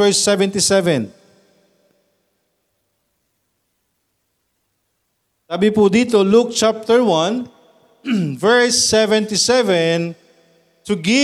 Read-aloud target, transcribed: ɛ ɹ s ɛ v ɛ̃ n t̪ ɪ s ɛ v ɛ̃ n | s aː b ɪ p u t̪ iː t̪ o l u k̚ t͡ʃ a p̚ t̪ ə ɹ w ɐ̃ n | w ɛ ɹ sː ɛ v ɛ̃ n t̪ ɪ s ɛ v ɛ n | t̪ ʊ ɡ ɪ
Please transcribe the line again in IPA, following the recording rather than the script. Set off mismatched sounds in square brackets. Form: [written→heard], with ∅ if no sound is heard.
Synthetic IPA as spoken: ɛ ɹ s ɛ v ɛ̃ n t̪ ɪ s ɛ v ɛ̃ n | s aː b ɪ p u [t̪→d̪] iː t̪ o l u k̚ t͡ʃ a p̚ t̪ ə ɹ w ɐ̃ n | [w→v] ɛ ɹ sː ɛ v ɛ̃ n t̪ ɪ s ɛ v ɛ n | t̪ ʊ ɡ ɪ